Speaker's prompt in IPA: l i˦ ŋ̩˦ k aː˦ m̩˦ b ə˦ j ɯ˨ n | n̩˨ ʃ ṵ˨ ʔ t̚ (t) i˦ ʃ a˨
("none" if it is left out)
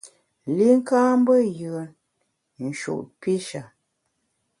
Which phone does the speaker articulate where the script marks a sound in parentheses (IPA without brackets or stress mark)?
p